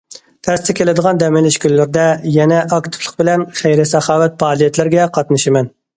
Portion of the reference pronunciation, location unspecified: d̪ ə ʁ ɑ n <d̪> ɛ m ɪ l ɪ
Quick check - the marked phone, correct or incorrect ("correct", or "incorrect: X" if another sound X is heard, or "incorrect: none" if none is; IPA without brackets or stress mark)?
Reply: correct